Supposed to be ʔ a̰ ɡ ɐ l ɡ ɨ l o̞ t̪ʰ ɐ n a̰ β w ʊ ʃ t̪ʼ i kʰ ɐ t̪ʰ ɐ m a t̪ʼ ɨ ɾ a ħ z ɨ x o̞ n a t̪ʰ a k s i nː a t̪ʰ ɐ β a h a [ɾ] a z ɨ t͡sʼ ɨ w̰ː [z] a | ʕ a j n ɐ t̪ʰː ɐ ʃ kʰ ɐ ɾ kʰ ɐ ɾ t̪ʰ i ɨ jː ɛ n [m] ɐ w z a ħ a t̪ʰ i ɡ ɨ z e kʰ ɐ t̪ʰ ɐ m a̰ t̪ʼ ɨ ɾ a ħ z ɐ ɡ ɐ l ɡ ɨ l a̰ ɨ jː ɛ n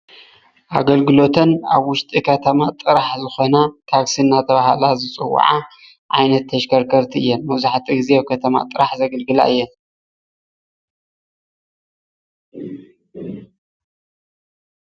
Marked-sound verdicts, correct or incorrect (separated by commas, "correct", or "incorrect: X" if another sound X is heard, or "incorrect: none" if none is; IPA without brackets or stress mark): incorrect: l, incorrect: ʕ, correct